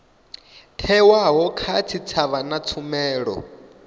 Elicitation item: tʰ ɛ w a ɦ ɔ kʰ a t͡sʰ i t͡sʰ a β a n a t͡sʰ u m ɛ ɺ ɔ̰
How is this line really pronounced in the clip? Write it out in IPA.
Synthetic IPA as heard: tʰ ɛ w a ɦ ɔ kʰ a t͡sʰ i t͡sʰ a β a n a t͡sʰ u m ɛː ɺ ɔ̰